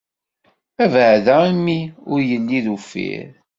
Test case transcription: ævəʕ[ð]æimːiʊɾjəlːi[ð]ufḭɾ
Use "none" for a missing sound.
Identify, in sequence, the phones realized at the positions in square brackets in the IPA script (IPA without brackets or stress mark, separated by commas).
ð, ð